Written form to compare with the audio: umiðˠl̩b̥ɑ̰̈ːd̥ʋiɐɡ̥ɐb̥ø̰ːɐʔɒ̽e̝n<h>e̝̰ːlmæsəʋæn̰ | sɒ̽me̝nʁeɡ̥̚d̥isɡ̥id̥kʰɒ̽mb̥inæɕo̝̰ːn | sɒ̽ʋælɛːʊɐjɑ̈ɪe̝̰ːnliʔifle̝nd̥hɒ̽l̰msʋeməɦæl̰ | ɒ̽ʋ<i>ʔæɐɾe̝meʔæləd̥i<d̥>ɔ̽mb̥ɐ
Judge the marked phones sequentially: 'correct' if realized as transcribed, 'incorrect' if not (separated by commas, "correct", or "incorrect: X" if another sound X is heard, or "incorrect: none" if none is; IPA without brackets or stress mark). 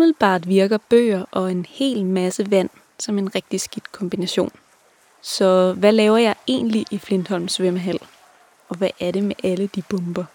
correct, incorrect: æ, incorrect: b̥